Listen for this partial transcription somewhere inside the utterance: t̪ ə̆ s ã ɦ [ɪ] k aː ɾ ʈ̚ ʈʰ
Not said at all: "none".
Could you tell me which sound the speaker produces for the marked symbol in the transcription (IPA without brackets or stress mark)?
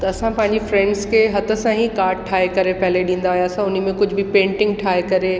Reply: i